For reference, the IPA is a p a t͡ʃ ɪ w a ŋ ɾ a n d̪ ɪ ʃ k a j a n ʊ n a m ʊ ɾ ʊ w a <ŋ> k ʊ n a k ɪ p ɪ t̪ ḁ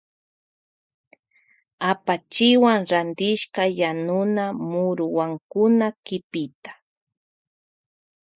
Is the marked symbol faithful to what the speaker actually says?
yes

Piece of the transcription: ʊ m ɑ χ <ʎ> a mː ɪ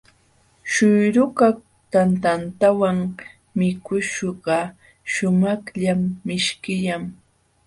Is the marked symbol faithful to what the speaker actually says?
yes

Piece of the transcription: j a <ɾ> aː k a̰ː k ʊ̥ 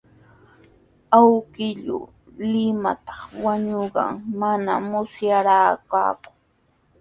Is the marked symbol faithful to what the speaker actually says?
yes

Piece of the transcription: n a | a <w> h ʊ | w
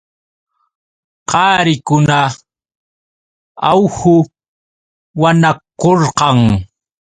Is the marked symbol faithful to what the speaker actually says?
yes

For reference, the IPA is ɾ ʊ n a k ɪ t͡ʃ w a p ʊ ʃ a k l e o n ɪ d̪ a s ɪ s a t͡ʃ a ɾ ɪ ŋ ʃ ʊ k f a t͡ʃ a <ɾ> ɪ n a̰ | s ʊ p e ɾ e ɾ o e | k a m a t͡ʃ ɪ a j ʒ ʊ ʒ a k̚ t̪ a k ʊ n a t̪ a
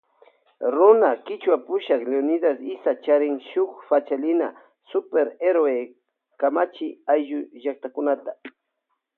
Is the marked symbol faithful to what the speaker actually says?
no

